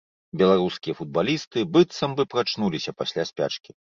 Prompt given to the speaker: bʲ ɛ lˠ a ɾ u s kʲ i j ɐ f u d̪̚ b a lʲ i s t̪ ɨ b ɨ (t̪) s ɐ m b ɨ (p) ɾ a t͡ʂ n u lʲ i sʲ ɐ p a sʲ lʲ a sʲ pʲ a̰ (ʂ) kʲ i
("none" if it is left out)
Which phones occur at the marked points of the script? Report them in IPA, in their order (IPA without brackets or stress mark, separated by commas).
t̪, p, t͡ʂ